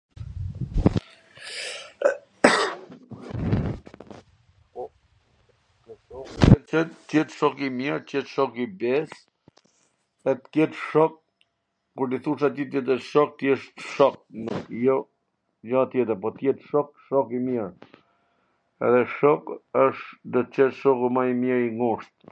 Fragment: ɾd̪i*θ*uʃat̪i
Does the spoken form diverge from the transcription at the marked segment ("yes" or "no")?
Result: no